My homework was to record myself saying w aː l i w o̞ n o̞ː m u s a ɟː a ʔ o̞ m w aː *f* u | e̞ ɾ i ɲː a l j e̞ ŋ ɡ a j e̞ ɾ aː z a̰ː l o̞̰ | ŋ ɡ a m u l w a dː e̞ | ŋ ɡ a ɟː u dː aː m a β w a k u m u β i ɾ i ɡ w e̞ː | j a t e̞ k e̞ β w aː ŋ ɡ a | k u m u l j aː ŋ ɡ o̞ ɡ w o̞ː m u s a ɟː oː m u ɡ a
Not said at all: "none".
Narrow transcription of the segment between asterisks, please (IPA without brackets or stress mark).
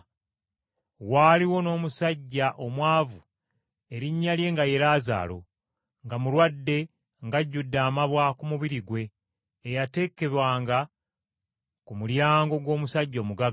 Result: v